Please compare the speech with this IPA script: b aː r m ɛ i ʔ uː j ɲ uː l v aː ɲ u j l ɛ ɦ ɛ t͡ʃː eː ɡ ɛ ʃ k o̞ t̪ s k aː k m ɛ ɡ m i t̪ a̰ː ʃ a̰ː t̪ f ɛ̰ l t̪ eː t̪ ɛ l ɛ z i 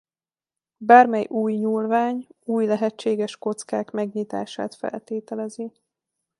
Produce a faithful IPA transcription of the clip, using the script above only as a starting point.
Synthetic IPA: b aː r m ɛ j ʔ uː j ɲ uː l v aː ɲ uː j l ɛ ɦ ɛ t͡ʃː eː ɡ ɛ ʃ k o̞ t̪ s k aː k m ɛ ɡ ɲ i t̪ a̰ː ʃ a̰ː t̪ f ɛ̰ l t̪ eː t̪ ɛ l ɛ z i